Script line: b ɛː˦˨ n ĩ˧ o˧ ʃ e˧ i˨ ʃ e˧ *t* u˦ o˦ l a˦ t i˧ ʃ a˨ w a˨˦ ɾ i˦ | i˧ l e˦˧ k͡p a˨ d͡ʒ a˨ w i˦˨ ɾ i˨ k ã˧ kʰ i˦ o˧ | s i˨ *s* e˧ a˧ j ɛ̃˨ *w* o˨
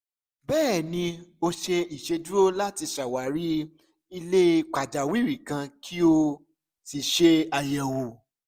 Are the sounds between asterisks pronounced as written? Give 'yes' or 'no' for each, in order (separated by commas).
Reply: no, no, yes